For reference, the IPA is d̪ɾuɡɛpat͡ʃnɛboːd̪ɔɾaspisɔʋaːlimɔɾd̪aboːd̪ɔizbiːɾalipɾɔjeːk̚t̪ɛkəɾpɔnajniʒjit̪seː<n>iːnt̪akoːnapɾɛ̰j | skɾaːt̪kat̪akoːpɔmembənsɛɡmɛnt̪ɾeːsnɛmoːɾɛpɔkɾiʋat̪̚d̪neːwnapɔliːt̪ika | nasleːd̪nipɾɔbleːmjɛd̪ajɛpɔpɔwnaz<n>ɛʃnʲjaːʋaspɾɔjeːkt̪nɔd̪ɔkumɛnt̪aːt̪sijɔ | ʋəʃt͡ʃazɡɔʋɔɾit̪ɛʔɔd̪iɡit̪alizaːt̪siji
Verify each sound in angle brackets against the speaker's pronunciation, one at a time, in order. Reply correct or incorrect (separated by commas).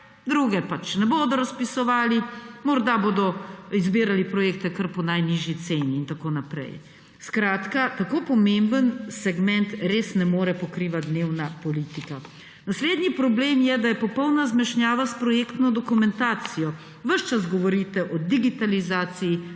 correct, incorrect